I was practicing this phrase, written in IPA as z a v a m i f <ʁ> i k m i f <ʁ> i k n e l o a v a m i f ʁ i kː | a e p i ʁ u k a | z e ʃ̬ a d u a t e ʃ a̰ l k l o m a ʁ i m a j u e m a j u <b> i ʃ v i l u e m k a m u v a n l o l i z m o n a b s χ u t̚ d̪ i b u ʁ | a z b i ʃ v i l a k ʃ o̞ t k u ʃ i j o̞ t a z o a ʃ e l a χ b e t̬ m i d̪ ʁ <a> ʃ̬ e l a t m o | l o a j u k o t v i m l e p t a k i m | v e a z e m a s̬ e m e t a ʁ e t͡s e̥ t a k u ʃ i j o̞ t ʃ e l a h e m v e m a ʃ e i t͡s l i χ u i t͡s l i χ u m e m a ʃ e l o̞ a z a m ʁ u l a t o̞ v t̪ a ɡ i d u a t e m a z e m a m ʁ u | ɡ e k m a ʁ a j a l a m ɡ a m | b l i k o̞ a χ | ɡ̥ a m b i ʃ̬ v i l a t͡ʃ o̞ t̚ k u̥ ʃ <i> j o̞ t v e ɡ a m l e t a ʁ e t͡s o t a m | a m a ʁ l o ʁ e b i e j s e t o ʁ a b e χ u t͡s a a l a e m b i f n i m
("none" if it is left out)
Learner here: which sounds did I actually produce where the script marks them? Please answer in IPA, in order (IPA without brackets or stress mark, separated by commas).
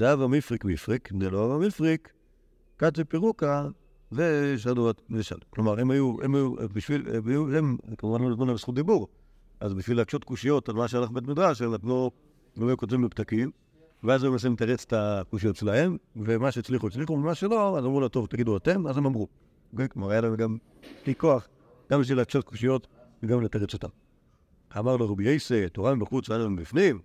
ʁ, ʁ, b, a, i